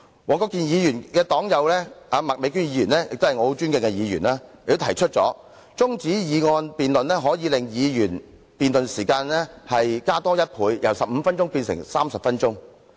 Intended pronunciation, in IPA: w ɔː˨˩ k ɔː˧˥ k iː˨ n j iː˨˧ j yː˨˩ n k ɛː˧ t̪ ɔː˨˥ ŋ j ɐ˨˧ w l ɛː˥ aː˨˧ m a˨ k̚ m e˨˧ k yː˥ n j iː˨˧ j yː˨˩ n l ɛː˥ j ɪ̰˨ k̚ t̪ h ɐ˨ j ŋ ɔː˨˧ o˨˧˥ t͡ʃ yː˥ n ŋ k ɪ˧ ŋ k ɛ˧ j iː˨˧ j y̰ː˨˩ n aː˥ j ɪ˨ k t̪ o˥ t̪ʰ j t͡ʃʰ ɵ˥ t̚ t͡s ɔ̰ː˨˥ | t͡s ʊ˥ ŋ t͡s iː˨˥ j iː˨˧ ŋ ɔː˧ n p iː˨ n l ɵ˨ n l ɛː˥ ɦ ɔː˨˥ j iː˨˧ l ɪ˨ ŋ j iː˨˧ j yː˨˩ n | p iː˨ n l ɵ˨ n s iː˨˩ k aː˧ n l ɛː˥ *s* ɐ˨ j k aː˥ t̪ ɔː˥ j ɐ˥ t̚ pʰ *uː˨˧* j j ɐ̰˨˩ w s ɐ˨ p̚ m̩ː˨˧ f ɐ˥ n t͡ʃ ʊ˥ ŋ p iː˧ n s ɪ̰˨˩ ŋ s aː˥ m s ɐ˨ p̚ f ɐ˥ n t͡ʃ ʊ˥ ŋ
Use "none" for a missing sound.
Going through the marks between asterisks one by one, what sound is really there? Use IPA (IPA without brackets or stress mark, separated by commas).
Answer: h, uː˨˧